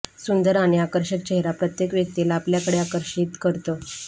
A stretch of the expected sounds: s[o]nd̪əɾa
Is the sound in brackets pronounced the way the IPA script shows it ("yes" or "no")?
no